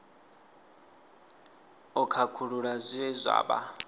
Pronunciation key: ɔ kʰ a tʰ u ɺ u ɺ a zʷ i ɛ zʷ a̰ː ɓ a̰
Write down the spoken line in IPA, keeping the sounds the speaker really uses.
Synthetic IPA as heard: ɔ kʰ a kʰ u ɺ u ɺ a zʷ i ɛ zʷ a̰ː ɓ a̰